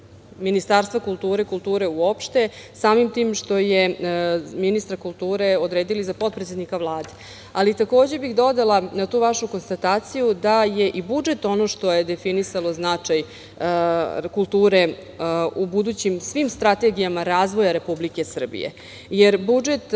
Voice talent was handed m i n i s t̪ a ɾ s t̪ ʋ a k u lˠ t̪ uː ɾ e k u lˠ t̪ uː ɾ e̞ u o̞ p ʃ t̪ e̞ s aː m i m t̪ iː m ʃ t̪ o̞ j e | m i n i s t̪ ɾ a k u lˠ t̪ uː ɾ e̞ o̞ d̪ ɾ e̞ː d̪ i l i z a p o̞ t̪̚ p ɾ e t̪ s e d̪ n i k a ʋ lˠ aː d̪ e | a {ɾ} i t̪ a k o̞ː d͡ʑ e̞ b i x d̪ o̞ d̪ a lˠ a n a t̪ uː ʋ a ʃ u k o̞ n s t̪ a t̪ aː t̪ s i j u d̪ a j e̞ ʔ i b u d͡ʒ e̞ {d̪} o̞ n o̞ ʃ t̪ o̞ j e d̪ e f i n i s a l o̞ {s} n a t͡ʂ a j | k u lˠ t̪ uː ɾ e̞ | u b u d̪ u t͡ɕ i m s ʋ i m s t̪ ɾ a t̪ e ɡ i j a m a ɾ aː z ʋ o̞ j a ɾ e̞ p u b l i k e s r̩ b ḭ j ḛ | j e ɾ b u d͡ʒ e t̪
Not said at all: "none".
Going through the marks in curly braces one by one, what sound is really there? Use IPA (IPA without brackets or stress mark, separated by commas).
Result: l, t̪, z